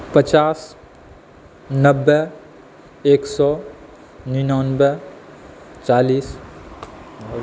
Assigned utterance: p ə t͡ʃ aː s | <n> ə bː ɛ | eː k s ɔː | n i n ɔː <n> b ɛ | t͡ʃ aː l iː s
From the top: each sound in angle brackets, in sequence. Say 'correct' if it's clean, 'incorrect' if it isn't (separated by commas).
correct, correct